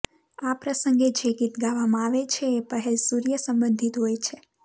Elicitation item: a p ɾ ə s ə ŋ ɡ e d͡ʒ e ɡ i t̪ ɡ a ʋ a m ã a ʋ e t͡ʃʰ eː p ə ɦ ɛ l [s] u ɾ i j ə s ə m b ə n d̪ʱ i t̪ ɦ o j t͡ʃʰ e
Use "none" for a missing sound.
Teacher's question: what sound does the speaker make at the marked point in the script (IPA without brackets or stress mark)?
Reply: s